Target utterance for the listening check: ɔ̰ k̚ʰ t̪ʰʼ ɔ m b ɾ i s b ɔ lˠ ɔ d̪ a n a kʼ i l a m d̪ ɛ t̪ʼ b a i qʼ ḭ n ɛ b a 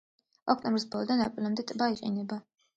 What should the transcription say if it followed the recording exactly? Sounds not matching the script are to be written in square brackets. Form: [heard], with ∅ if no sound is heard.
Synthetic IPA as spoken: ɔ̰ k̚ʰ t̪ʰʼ ɔ m b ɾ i s b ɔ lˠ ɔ d̪ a n a [pʼ] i l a m d̪ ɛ t̪ʼ b a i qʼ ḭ n ɛ b a